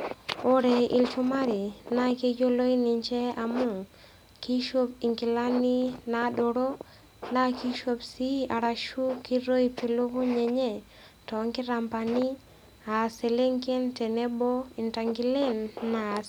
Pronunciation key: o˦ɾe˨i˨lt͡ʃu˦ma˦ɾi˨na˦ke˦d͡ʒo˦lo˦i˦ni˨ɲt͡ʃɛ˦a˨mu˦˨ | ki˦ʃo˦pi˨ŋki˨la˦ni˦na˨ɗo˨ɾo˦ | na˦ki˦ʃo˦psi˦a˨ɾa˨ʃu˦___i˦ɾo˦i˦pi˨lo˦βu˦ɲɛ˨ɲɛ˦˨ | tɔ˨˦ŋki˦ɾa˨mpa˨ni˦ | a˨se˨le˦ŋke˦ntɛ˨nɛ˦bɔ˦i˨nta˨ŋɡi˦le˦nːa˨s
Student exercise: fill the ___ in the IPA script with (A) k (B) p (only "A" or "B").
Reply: A